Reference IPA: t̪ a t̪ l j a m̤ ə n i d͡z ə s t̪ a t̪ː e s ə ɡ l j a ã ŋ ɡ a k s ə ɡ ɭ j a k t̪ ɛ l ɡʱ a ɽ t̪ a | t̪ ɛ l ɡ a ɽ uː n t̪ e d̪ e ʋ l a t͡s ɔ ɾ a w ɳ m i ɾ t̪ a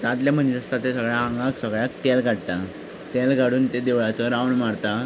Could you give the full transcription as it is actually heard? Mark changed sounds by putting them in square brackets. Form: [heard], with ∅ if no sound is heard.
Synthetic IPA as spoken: t̪ a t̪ l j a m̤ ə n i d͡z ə s t̪ a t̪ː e s ə ɡ [ɭ] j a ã ŋ ɡ a k s ə ɡ ɭ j a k t̪ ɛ l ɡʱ a ɽ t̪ a | t̪ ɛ l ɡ a ɽ uː n t̪ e d̪ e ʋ [ɭ] a t͡s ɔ ɾ a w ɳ m [a] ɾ t̪ a